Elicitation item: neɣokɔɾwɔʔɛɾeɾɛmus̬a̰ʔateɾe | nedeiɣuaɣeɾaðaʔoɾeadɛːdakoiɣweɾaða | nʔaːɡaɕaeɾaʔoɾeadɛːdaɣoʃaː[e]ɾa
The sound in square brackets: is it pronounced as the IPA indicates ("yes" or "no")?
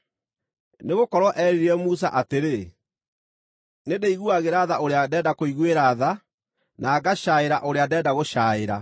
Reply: yes